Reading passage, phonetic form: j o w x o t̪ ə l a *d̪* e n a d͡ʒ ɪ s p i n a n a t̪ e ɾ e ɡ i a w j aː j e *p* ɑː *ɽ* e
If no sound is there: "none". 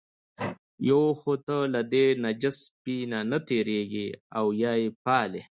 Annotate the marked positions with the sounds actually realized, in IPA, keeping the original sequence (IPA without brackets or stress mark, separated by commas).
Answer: d̪, p, l